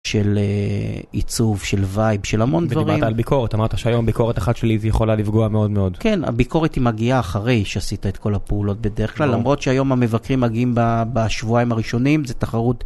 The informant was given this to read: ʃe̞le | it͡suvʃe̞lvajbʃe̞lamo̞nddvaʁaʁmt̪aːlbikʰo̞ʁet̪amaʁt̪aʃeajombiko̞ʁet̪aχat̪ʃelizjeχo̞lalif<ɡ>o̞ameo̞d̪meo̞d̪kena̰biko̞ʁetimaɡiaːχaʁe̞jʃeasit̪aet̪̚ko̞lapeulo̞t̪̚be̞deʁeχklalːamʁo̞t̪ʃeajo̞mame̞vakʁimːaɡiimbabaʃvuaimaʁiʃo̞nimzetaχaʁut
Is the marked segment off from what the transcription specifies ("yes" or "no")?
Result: no